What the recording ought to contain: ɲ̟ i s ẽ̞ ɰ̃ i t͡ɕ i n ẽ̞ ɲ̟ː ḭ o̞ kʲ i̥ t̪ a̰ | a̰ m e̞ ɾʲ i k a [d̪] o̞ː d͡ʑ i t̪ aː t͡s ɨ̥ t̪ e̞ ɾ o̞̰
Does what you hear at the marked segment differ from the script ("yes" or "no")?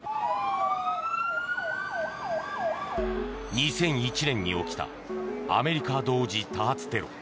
no